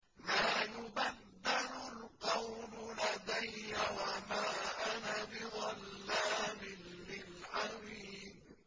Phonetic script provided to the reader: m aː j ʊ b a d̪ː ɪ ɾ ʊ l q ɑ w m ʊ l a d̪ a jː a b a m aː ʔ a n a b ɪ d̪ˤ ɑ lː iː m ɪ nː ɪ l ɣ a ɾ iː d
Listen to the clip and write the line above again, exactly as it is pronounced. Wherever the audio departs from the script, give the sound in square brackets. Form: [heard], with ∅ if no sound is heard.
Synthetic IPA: m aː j ʊ b a d̪ː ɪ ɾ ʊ l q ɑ w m ʊ l a d̪ a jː a [w] a m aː ʔ a n a b ɪ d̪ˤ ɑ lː [aː] m ɪ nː ɪ l [ʕ] a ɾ iː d